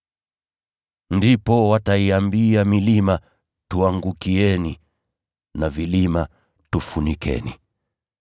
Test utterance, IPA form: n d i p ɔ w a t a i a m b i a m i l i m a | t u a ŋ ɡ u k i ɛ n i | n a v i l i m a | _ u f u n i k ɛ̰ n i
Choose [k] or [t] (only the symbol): t